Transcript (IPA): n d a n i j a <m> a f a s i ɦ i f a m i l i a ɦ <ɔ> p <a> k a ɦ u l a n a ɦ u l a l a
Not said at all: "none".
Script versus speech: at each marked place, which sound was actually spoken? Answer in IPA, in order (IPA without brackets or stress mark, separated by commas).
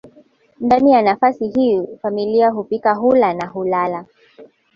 n, u, i